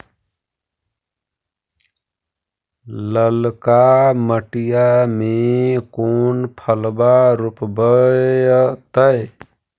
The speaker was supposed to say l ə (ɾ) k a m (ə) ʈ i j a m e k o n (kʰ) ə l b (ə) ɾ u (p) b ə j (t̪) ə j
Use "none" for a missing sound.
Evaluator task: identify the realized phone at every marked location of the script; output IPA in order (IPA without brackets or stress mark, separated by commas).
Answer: l, ə, pʰ, a, p, t̪